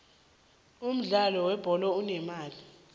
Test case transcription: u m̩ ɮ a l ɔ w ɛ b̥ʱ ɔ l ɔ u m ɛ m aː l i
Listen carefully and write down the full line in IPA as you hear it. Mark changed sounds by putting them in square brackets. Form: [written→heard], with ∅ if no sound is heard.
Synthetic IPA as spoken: u m̩ ɮ a l ɔ w ɛ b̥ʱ ɔ l ɔ u [m→n] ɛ m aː l i